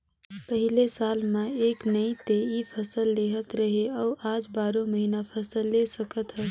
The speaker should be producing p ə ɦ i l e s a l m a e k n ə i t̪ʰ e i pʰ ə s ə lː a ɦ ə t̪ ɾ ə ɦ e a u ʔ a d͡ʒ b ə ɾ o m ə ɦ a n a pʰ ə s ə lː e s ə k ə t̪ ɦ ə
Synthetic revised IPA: p ə ɦ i l e s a l m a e k n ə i t̪ e i pʰ ə s ə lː e ɦ ə t̪ ɾ ə ɦ e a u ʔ a d͡ʒ b a ɾ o m ə ɦ i n a pʰ ə s ə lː e s ə k ə t̪ ɦ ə